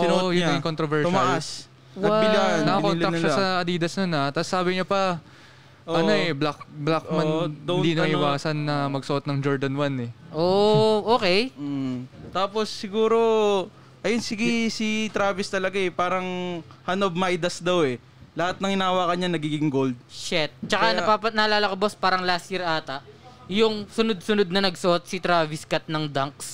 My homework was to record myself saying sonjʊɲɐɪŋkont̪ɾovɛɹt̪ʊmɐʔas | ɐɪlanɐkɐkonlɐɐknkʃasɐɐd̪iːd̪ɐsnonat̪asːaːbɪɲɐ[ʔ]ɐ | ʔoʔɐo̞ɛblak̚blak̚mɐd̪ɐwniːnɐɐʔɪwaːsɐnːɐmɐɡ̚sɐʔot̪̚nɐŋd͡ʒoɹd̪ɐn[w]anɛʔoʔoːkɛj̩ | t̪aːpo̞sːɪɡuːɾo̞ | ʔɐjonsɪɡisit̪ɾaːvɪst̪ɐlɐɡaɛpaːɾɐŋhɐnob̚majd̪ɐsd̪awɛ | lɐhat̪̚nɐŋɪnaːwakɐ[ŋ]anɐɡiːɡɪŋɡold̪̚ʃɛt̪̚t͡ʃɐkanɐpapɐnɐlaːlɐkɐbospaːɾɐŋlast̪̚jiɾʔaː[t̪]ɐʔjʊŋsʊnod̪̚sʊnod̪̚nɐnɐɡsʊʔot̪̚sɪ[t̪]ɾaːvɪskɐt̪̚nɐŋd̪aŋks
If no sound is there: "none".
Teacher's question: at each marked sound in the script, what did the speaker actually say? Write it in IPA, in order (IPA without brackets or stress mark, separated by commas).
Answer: p, w, ɲ, t̪, t̪